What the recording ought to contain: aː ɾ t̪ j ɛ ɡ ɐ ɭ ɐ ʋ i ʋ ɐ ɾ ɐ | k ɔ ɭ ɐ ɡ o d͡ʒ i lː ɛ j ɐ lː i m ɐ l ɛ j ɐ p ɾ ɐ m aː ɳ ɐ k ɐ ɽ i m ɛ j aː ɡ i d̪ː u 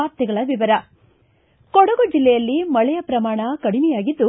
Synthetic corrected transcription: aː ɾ t̪ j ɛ ɡ ɐ ɭ ɐ ʋ i ʋ ɐ ɾ ɐ | k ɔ ɽ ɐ ɡ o d͡ʒ i lː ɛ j ɐ lː i m ɐ ɭ ɛ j ɐ p ɾ ɐ m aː ɳ ɐ k ɐ ɽ i m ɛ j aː ɡ i d̪ː u